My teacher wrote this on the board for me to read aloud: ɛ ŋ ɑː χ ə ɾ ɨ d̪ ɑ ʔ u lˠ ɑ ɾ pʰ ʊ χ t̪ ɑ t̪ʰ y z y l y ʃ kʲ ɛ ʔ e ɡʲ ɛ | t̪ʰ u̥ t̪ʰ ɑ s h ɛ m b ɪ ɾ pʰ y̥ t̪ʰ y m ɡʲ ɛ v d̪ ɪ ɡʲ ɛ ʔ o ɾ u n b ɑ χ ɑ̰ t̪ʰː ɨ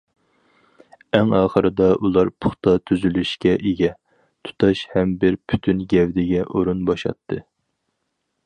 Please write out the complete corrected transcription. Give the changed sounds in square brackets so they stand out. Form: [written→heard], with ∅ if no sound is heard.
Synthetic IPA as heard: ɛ ŋ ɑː χ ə ɾ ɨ d̪ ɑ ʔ u lˠ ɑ ɾ pʰ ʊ χ t̪ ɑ t̪ʰ y z y l y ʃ kʲ ɛ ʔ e ɡʲ ɛ | t̪ʰ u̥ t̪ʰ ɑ [s→ʃ] h ɛ m b ɪ ɾ pʰ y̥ t̪ʰ y [m→n] ɡʲ ɛ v d̪ ɪ ɡʲ ɛ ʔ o ɾ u n b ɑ [χ→ʃ] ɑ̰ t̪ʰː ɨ